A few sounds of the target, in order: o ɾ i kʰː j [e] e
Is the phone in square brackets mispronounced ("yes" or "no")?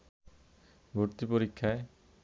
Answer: yes